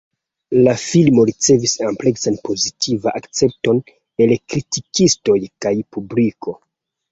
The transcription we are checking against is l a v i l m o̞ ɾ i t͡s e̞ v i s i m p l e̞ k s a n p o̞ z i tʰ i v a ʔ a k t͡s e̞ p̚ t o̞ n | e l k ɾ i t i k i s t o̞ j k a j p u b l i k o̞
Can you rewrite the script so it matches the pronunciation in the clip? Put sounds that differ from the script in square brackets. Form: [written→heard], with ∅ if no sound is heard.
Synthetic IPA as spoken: l a [v→f] i l m o̞ ɾ i t͡s e̞ v i s [i→a] m p l e̞ k s a n p o̞ z i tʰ i v a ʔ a k t͡s e̞ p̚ t o̞ n | e l k ɾ i t i k i s t o̞ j k a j p u b l i k o̞